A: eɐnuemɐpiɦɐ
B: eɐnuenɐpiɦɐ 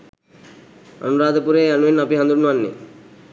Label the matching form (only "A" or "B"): B